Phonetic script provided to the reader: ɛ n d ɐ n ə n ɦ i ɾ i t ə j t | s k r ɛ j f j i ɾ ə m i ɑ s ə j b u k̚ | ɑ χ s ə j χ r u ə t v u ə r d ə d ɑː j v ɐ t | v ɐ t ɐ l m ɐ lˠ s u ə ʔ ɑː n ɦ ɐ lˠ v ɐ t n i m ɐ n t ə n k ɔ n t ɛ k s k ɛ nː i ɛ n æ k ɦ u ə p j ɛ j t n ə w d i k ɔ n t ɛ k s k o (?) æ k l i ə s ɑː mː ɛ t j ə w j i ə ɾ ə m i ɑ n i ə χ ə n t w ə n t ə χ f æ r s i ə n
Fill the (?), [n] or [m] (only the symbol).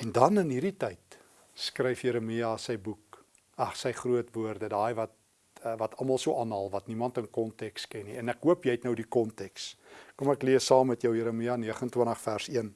m